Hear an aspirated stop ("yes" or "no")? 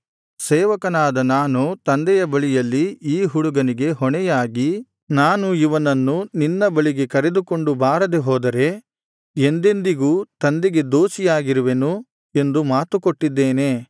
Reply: no